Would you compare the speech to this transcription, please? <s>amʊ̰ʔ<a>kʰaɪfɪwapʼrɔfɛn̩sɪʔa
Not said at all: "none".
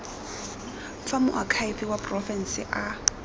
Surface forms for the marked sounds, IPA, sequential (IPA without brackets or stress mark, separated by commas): f, a